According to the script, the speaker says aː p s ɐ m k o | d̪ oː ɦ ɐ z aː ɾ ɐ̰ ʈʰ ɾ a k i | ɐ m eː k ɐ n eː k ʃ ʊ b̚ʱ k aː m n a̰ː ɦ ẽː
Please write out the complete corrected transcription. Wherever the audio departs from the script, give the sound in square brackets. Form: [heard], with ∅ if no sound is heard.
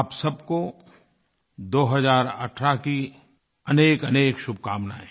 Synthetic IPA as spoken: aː p s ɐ [b] k o | d̪ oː ɦ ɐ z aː ɾ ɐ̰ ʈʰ ɾ a k i | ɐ [n] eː k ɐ n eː k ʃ ʊ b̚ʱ k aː m n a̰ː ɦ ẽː